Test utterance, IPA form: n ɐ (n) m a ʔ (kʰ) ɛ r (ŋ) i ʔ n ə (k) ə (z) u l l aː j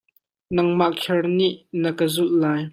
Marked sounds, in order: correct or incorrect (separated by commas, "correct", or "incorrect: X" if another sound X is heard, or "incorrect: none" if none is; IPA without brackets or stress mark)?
incorrect: ŋ, correct, incorrect: n, correct, correct